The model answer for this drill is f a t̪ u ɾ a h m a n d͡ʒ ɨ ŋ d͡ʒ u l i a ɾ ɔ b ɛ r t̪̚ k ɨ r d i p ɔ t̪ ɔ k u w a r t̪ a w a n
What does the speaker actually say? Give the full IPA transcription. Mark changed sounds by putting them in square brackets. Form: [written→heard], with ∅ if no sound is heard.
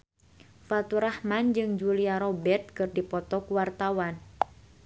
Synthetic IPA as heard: f a t̪ u ɾ a h m a n d͡ʒ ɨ ŋ d͡ʒ u l i a ɾ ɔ b ɛ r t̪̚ k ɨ r d i p ɔ t̪ ɔ k u w a r t̪ a w a n